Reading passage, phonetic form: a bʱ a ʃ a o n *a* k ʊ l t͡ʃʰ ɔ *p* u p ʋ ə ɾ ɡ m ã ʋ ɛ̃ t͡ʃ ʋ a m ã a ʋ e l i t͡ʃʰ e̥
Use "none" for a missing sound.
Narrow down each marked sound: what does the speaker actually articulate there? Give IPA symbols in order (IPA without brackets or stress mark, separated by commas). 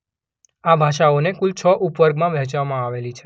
e, ʔ